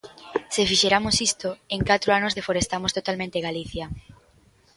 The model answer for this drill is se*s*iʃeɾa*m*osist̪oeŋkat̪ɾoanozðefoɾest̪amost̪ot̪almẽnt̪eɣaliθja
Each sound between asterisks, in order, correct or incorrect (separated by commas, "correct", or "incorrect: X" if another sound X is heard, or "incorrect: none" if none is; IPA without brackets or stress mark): incorrect: f, correct